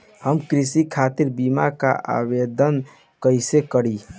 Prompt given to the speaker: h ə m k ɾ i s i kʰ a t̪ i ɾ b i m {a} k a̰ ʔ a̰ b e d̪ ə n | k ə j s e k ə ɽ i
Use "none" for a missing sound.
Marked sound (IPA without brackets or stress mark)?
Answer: a